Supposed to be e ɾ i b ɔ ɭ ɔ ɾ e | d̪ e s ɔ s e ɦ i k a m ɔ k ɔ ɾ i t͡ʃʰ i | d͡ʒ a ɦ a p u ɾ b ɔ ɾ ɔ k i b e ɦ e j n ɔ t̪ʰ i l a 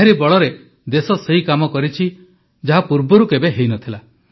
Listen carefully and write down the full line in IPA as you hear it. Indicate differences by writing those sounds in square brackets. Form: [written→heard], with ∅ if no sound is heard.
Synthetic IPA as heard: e ɾ i b ɔ ɭ ɔ ɾ e | d̪ e s ɔ s e ɦ i k a m ɔ k ɔ ɾ i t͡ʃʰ i | d͡ʒ a ɦ a p u ɾ b ɔ ɾ [ɔ→u] k [i→e] b e ɦ e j n ɔ t̪ʰ i l a